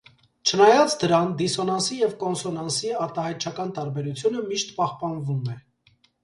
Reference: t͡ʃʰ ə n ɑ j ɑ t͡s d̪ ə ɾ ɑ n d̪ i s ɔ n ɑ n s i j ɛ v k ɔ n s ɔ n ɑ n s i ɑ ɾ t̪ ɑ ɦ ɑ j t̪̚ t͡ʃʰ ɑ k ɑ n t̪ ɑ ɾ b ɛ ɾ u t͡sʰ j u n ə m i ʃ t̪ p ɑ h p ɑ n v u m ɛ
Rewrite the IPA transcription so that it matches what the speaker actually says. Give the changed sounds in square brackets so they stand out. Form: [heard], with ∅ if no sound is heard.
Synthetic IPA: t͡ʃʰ ə n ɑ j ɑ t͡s d̪ ə ɾ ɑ n d̪ i s ɔ n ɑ n s i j ɛ v k ɔ n s ɔ n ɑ n s i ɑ ɾ t̪ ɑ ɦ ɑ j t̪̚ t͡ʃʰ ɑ k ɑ n t̪ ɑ ɾ b ɛ ɾ u t͡sʰ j u n ə m i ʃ t̪ p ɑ h p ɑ n v u m ɛ